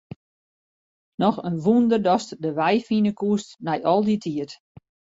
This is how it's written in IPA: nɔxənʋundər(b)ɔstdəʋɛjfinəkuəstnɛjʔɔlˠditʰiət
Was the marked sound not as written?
yes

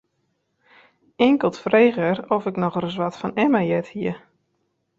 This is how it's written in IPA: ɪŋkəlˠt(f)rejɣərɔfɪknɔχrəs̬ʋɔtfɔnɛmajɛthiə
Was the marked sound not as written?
no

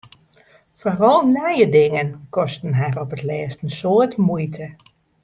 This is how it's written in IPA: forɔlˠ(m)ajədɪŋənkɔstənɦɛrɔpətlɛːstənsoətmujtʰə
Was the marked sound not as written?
yes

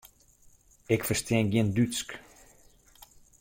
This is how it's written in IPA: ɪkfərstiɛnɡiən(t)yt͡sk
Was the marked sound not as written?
yes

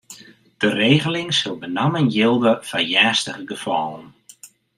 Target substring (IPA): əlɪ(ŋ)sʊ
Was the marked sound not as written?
no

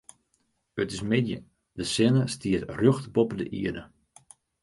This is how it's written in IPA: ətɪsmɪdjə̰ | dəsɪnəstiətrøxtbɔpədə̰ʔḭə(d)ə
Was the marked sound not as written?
no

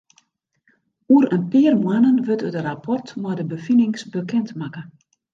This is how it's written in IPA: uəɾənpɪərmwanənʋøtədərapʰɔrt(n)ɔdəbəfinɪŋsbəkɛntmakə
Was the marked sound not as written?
yes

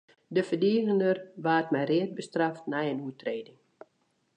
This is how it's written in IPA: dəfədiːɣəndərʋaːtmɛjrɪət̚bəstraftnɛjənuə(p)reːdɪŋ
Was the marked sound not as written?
yes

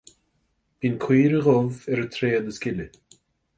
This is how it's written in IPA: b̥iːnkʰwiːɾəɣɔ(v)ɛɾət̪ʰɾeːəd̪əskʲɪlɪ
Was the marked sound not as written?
no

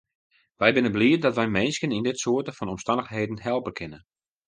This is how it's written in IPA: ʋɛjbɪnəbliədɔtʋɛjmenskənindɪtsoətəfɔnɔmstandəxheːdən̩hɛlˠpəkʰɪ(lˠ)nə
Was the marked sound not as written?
yes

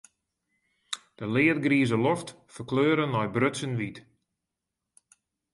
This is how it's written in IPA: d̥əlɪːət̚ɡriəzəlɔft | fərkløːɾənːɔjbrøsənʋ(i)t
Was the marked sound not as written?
no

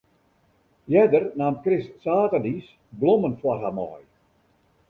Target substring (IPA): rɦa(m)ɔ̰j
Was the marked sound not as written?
no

